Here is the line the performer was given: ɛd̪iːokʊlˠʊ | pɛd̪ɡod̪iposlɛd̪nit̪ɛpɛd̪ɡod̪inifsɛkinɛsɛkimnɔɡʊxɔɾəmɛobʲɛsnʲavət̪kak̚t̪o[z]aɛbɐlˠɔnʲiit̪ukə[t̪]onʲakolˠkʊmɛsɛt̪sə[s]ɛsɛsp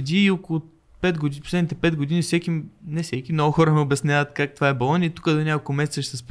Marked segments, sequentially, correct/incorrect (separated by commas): incorrect, incorrect, incorrect